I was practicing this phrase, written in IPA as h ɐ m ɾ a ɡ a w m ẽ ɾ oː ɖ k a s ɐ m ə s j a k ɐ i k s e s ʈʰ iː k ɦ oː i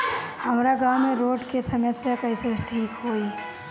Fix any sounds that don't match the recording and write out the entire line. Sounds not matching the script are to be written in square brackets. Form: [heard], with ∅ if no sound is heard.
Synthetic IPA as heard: h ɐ m ɾ a ɡ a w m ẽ ɾ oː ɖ k [e] s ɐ m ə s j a k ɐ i [∅] s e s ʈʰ iː k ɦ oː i